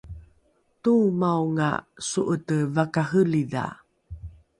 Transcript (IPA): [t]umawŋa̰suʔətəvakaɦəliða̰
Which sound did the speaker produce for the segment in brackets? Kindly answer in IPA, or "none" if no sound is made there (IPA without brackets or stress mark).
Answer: t